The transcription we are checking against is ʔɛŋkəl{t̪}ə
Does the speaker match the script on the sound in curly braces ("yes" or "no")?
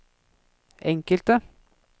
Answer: yes